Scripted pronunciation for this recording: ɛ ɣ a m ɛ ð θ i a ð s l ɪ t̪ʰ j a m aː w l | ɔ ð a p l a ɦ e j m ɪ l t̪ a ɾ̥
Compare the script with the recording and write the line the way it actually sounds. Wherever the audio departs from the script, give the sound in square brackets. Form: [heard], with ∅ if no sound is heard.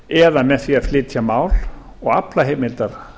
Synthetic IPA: ɛ [ð] a m ɛ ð θ i a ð [f] l ɪ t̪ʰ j a m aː w l | ɔ [ɣ] a p l a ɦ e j m ɪ l t̪ a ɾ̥

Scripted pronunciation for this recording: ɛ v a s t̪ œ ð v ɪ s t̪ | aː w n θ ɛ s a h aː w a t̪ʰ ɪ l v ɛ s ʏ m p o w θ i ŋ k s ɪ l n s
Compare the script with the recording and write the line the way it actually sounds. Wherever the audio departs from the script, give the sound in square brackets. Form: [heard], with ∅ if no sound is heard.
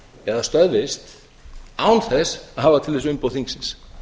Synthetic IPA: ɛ [ð] a s t̪ œ ð v ɪ s t̪ | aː w n θ ɛ s a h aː [v] a t̪ʰ ɪ l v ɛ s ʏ m p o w θ i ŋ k s ɪ [∅] n s

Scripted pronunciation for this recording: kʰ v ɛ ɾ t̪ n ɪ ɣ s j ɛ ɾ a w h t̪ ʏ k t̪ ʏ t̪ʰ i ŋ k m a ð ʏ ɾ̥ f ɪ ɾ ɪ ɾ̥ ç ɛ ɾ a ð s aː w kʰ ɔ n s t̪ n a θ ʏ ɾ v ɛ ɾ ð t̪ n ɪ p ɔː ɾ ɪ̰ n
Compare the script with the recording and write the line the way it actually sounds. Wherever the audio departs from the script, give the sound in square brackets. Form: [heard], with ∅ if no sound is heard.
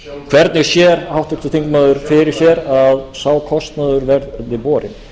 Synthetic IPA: kʰ v ɛ ɾ t̪ n ɪ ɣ s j ɛ ɾ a w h t̪ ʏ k t̪ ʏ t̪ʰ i ŋ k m a ð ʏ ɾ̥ f ɪ ɾ ɪ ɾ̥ ç ɛ ɾ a ð s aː w kʰ ɔ [∅] s t̪ n a [ð] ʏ ɾ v ɛ ɾ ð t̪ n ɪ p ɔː ɾ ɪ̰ n

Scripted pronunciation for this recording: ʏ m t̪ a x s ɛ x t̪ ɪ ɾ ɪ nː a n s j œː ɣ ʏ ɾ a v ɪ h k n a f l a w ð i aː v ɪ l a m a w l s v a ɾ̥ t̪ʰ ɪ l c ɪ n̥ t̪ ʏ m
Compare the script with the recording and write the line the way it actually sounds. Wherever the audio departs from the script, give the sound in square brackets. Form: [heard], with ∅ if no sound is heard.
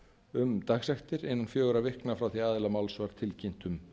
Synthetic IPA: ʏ m t̪ a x s ɛ x t̪ ɪ ɾ ɪ nː a n [f] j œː ɣ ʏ ɾ a v ɪ h k n a f [ɾ] a w [θ] i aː [ð] ɪ l a m a w l s v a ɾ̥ t̪ʰ ɪ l c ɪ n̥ t̪ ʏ m

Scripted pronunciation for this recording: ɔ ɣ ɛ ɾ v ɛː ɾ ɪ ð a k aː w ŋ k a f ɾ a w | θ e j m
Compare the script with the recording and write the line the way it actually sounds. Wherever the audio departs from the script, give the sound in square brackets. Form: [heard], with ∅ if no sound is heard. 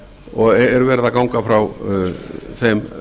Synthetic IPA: ɔ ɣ ɛ ɾ v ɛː ɾ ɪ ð a k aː w ŋ k a f ɾ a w | θ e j m

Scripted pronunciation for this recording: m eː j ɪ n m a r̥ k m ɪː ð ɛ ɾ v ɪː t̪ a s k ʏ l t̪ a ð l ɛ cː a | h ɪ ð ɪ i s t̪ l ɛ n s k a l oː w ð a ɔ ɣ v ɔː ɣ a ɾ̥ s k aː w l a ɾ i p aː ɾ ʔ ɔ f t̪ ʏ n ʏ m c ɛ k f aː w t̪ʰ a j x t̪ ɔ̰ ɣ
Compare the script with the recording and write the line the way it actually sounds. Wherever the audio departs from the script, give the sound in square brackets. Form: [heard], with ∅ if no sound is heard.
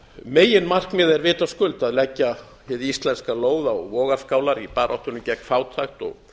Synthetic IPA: m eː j ɪ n m a r̥ k m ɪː ð ɛ ɾ v ɪː t̪ a s k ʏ l t̪ a ð l ɛ cː a | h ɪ ð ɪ i s t̪ l ɛ n s k a l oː w ð a ɔ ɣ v ɔː ɣ a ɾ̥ s k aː w l a ɾ i p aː ɾ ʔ ɔ [h] t̪ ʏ n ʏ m c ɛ k f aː w t̪ʰ a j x t̪ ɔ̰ ɣ

